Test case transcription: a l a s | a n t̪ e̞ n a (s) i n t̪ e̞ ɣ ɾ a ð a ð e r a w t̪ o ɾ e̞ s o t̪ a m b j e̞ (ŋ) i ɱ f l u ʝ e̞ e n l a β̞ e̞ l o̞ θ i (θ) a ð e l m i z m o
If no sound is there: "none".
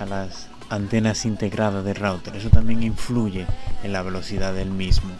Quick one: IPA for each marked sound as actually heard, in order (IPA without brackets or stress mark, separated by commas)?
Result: s, ŋ, ð